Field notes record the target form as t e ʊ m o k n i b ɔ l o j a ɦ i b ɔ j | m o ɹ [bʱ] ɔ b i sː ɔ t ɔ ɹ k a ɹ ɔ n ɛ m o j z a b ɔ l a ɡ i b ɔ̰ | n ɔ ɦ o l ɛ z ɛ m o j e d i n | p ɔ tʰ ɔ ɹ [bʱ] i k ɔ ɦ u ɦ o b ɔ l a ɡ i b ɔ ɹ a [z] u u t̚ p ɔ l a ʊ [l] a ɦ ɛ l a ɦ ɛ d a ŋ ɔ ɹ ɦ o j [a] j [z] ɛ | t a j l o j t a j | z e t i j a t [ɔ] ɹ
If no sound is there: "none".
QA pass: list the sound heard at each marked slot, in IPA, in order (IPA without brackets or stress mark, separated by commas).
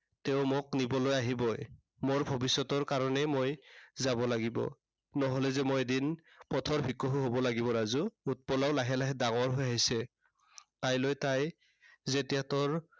bʱ, bʱ, z, l, a, s, ɔ